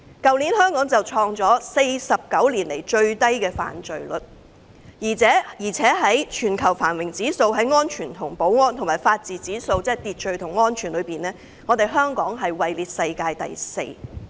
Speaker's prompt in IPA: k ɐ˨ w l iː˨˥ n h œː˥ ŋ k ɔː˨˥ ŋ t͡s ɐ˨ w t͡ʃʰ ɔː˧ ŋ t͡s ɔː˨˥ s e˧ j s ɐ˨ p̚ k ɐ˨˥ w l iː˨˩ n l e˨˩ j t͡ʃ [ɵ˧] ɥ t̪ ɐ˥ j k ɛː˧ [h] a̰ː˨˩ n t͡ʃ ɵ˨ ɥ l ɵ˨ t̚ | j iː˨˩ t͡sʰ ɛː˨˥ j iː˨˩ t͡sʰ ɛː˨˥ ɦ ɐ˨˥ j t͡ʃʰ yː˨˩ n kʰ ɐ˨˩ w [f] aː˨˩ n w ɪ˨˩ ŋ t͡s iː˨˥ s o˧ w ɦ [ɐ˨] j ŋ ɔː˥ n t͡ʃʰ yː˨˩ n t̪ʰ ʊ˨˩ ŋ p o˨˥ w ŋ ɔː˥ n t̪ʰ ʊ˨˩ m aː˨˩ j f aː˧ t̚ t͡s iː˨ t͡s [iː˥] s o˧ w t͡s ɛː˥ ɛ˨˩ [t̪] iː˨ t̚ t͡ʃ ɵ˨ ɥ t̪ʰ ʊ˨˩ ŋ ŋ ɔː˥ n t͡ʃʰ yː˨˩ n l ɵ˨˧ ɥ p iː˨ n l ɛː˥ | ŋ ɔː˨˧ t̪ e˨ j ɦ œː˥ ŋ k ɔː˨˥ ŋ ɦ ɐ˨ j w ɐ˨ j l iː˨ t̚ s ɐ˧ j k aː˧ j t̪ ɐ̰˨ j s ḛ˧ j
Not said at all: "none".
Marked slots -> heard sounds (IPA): ɵ˧, f, f, ɐ˨˥, iː˨˥, t̪

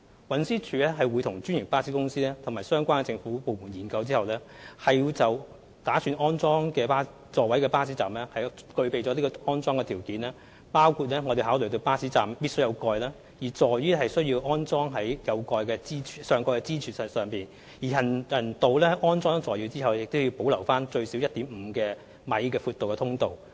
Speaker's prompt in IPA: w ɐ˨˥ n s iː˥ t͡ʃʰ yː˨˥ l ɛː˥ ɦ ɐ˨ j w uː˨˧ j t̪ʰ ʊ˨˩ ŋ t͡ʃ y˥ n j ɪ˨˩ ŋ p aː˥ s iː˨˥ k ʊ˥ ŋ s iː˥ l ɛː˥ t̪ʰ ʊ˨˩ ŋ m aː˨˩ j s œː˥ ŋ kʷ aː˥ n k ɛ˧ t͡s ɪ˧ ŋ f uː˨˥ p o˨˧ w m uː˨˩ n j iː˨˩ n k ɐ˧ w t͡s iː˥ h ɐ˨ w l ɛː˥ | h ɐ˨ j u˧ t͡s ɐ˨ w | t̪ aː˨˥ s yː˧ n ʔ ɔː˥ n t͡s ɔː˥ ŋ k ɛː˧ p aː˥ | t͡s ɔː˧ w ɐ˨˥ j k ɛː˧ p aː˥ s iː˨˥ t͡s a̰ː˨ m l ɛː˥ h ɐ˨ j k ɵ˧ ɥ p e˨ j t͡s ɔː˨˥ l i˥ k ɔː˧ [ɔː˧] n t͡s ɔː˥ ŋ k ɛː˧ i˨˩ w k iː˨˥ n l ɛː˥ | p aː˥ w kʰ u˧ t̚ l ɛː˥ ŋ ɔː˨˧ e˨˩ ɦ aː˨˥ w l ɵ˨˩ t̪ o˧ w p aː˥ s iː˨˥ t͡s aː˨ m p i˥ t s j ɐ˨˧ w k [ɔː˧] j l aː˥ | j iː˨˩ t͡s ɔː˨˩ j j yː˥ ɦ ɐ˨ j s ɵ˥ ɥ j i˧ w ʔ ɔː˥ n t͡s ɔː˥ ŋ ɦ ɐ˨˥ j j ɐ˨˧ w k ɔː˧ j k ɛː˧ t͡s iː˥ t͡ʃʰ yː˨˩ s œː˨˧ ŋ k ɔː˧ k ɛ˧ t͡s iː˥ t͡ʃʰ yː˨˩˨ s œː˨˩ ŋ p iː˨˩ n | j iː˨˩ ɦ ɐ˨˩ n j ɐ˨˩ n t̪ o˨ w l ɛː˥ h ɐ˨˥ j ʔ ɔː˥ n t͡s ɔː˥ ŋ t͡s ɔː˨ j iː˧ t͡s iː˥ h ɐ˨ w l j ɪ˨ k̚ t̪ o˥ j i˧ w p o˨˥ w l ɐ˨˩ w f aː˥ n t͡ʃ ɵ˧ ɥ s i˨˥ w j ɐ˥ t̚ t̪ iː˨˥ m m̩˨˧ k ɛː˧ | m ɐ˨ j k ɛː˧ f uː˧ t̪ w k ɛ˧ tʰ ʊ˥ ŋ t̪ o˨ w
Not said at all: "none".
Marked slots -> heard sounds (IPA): ɔː˥, ɔː˧

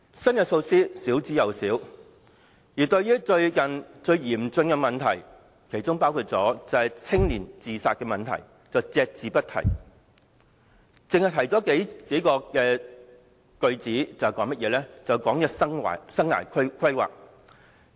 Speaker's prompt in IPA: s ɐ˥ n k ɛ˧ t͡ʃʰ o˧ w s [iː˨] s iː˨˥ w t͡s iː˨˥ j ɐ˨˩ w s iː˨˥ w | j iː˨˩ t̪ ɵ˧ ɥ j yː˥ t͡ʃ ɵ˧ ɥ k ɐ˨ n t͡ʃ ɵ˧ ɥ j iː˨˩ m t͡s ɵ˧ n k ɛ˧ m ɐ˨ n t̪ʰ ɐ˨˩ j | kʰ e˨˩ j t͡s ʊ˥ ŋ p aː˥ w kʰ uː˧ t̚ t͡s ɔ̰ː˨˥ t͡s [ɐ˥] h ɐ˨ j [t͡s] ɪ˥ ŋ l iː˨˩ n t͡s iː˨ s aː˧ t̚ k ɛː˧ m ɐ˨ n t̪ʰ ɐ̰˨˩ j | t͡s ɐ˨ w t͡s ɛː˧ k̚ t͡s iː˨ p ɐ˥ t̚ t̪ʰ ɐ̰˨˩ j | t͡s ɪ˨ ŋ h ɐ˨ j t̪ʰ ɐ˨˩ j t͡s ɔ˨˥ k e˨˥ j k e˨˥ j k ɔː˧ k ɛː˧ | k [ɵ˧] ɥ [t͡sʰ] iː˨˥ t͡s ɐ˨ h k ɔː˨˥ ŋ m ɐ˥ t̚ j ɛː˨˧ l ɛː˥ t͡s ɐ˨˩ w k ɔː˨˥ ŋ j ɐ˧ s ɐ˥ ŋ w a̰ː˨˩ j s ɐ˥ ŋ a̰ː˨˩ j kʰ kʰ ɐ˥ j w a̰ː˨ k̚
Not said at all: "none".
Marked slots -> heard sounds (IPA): iː˥, ɐ˨˧, t͡sʰ, ɵ˧, t͡s

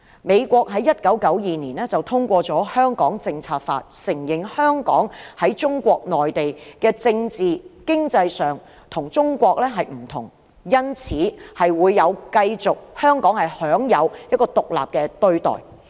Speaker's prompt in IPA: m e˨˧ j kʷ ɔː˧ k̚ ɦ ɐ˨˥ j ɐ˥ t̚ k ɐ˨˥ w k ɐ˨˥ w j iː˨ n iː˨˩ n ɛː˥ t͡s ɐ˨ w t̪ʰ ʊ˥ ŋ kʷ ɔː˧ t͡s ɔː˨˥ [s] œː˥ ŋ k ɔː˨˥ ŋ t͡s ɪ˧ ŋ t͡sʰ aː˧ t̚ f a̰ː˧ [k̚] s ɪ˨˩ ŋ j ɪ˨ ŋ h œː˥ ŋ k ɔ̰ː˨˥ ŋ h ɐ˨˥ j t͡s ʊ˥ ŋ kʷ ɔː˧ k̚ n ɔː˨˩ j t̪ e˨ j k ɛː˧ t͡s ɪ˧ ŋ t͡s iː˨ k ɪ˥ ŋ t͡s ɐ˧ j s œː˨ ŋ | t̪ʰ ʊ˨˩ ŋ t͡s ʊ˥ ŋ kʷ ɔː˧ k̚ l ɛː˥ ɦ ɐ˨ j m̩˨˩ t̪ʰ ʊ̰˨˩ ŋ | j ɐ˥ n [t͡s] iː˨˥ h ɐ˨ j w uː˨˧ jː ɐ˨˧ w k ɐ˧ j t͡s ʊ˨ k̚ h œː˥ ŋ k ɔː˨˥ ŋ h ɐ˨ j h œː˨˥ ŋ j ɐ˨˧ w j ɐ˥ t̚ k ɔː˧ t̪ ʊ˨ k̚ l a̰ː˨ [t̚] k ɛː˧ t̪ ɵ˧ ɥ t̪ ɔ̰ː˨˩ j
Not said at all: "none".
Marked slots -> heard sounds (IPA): h, t̚, t͡sʰ, p̚

